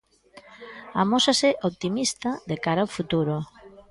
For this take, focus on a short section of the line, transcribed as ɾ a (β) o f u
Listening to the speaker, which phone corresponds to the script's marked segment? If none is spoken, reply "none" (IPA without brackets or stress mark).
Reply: none